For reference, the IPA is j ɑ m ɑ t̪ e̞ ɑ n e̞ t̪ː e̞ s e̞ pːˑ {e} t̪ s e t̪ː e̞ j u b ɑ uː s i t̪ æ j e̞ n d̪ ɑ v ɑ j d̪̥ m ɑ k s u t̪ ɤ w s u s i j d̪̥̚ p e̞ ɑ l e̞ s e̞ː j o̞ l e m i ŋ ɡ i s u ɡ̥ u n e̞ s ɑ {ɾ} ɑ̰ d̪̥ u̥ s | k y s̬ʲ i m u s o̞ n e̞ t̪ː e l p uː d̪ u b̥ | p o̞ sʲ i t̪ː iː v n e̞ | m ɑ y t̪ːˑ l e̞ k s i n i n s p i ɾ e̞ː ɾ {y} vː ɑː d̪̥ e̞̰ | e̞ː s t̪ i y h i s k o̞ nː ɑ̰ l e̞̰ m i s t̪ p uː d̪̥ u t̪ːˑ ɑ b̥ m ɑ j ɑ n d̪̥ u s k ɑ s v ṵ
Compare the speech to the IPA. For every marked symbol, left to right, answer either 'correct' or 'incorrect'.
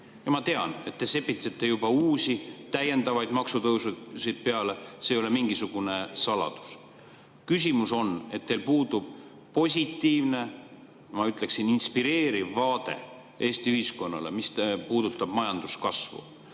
incorrect: i, incorrect: l, incorrect: i

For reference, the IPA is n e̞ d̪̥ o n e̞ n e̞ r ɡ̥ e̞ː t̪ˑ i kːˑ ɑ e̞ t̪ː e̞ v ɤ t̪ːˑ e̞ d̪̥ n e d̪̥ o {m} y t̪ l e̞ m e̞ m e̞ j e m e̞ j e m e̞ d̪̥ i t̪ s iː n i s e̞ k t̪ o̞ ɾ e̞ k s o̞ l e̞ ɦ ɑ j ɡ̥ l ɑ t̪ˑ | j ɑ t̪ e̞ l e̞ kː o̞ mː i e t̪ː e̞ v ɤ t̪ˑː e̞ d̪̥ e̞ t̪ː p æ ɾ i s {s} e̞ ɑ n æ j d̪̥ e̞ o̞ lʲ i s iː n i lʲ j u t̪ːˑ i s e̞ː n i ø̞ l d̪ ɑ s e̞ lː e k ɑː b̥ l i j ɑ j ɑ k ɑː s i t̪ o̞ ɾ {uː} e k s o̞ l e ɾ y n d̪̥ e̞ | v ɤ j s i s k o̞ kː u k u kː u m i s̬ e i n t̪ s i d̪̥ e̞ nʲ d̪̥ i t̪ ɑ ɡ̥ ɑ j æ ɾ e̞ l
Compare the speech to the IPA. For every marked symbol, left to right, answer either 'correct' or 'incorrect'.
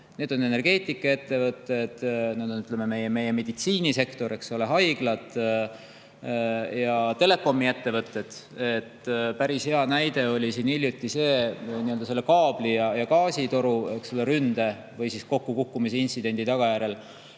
incorrect: n, incorrect: h, incorrect: u

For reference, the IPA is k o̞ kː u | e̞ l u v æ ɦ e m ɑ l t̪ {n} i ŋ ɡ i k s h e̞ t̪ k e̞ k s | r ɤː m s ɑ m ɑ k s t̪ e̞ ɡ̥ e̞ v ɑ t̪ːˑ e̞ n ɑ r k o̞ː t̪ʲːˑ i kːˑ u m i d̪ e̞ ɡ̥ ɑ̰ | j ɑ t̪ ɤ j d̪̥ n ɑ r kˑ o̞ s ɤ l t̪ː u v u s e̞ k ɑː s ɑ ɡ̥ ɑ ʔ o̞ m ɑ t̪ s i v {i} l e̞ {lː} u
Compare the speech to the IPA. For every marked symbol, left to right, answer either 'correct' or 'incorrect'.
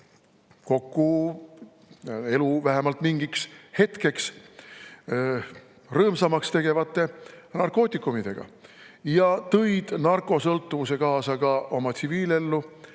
incorrect: m, incorrect: iː, correct

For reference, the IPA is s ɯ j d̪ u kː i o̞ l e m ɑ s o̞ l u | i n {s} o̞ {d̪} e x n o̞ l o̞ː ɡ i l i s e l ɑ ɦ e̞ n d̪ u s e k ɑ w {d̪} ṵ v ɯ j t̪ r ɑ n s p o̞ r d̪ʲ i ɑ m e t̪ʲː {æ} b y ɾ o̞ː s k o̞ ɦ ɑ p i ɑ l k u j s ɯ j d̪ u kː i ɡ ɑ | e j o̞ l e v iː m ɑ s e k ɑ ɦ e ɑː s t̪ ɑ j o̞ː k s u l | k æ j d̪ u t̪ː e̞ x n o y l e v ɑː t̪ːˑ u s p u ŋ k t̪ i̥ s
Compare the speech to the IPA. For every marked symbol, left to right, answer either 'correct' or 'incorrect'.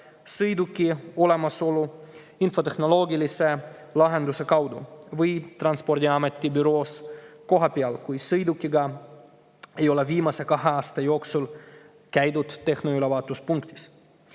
incorrect: f, incorrect: t̪, correct, incorrect: i

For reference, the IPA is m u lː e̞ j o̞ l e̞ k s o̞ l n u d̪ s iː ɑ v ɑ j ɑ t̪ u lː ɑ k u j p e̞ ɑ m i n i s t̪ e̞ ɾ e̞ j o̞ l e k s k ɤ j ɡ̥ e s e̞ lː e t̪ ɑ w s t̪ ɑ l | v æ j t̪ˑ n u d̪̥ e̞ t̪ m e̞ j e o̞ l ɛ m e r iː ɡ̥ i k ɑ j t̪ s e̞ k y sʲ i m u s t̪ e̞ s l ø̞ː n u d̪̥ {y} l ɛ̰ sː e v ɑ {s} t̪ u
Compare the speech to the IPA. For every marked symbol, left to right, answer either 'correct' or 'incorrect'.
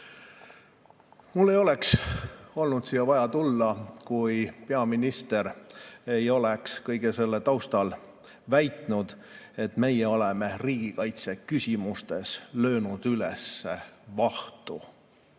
correct, incorrect: h

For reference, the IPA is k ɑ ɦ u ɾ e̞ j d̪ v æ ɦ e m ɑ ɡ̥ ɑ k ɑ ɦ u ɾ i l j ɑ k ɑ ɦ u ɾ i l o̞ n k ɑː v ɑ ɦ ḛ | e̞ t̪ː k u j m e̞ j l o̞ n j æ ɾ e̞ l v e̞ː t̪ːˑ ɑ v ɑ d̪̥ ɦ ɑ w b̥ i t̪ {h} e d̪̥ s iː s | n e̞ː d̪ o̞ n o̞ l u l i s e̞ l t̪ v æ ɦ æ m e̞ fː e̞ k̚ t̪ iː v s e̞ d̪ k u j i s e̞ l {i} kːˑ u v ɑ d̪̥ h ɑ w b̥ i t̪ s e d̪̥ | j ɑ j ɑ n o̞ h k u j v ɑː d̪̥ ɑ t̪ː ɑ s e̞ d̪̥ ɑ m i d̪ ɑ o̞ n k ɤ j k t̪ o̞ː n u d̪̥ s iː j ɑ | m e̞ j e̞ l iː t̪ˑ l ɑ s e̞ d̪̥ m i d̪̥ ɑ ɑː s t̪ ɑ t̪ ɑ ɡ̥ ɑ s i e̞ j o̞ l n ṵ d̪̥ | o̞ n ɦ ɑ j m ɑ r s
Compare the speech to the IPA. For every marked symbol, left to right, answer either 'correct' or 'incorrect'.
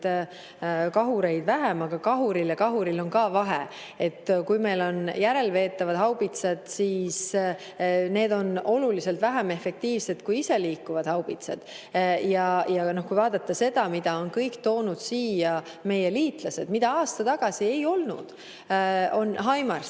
incorrect: s, incorrect: iː

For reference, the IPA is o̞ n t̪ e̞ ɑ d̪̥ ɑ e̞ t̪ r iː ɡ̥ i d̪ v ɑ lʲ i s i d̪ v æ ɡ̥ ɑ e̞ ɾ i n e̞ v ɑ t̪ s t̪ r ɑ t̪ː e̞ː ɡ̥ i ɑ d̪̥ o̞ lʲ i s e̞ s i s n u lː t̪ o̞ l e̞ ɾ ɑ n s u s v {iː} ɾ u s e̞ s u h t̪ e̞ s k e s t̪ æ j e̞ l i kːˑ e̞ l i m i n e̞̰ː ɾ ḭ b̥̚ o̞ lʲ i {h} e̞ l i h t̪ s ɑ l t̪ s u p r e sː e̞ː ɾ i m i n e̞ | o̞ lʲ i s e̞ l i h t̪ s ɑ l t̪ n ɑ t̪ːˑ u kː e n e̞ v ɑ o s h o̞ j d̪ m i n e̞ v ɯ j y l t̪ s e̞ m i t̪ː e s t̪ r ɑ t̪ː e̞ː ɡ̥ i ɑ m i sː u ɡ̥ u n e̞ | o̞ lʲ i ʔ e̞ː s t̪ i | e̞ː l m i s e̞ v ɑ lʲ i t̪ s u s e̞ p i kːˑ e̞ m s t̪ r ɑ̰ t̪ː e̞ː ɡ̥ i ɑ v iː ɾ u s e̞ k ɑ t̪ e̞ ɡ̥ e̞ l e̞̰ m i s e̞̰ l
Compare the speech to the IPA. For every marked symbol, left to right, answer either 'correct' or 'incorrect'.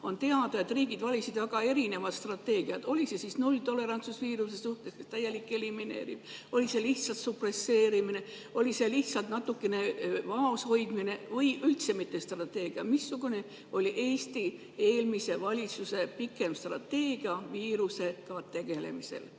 correct, incorrect: s

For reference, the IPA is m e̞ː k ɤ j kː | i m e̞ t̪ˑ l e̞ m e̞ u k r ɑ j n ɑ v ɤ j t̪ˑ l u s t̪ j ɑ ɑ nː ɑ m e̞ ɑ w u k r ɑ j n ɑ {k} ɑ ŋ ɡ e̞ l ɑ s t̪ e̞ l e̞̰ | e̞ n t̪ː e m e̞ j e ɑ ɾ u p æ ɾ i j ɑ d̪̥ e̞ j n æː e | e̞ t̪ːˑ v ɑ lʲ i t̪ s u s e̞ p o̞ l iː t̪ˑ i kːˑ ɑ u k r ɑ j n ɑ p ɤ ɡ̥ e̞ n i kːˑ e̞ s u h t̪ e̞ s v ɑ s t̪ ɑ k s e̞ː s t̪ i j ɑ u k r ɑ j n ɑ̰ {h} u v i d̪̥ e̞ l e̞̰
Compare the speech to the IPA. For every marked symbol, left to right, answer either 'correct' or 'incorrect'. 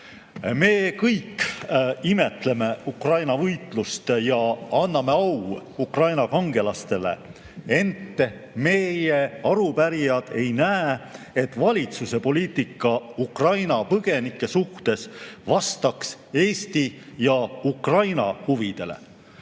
correct, correct

